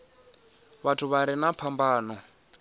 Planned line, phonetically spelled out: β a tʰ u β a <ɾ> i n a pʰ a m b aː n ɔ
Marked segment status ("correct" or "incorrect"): correct